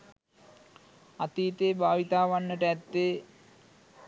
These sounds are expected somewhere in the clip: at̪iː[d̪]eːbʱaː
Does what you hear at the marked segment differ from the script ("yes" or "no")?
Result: yes